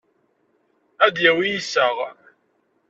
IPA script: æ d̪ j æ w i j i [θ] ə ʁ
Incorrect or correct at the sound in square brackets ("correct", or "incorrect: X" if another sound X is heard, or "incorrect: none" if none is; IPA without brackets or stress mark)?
incorrect: s